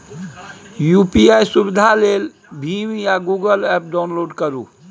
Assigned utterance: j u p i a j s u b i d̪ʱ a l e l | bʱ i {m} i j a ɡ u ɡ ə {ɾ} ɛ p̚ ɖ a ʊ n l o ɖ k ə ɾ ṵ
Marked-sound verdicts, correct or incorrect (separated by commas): correct, incorrect